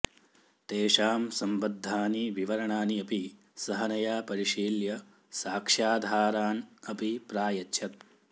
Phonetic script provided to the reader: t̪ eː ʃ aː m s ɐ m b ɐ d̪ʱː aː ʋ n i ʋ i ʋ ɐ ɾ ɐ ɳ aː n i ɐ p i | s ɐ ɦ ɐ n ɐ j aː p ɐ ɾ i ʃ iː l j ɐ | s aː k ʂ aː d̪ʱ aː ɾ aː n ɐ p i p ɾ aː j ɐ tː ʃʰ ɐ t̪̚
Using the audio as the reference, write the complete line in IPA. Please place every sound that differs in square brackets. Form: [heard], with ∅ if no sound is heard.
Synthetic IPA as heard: t̪ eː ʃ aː m s ɐ m b ɐ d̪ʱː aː [∅] n i ʋ i ʋ ɐ ɾ ɐ ɳ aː n i ɐ p i | s ɐ ɦ ɐ n ɐ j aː p ɐ ɾ i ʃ iː l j ɐ | s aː k ʂ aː d̪ʱ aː ɾ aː n ɐ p i p ɾ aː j ɐ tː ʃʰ ɐ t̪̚